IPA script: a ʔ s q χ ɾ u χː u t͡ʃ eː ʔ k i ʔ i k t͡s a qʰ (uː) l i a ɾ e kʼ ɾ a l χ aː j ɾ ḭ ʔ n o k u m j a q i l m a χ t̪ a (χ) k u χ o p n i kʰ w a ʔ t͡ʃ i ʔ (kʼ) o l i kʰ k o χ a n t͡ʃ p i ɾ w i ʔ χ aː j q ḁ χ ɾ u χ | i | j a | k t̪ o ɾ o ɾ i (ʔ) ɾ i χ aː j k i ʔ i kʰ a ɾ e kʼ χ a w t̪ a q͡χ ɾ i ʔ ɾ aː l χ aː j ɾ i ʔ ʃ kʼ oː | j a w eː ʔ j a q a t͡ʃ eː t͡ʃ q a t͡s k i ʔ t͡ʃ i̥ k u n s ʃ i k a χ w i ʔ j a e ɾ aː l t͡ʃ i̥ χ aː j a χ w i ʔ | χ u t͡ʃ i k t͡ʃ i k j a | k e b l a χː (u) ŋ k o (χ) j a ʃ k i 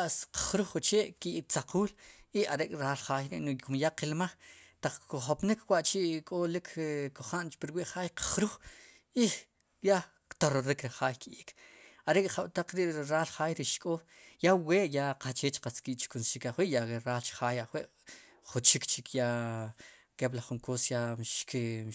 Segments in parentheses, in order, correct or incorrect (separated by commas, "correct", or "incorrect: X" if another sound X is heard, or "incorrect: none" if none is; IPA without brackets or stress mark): correct, incorrect: q͡χ, correct, incorrect: k, correct, incorrect: s